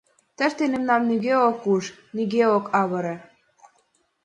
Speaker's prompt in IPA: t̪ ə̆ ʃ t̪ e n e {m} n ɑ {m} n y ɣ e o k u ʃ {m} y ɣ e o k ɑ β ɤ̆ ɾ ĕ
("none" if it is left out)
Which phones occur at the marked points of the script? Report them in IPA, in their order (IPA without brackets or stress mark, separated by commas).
m, m, n